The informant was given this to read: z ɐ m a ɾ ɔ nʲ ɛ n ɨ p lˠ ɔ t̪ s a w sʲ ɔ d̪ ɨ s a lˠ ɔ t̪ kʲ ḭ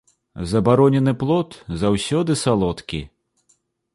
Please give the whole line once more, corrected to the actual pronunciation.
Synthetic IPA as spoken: z ɐ b a ɾ ɔ nʲ ɛ n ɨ p lˠ ɔ t̪ z a w sʲ ɔ d̪ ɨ s a lˠ ɔ t̪ kʲ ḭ